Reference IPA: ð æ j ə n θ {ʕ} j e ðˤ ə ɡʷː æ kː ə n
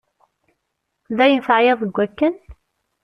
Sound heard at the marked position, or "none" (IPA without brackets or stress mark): ʕ